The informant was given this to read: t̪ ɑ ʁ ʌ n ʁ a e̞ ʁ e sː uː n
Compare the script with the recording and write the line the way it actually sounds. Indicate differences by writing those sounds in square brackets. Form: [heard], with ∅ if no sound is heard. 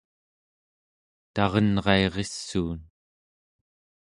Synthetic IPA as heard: t̪ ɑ ʁ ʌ n ʁ [ɑ] e̞ ʁ e sː uː n